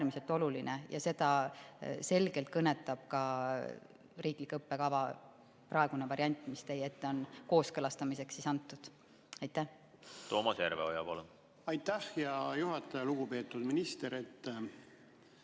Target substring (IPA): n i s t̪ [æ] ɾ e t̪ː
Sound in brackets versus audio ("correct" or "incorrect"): incorrect